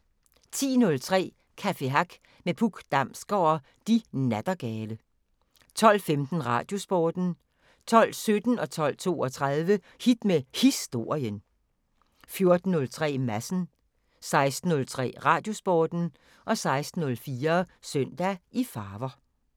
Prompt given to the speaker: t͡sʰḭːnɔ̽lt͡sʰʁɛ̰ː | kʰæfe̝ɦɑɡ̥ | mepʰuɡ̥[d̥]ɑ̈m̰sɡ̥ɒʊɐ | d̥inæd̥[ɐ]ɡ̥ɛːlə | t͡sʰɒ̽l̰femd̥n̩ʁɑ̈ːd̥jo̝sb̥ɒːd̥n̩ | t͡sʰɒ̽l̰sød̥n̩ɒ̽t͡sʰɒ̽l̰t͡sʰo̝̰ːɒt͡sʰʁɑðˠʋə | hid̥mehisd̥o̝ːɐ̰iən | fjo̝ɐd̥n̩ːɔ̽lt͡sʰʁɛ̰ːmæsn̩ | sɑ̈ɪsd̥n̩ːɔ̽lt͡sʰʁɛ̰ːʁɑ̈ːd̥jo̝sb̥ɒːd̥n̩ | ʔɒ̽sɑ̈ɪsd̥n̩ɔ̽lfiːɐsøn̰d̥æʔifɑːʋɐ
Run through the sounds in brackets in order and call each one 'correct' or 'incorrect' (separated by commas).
correct, correct